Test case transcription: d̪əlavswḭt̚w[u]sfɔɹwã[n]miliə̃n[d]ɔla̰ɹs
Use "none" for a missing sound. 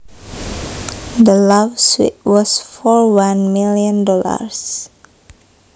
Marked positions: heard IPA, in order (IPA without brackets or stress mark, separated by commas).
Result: ɔ, n, d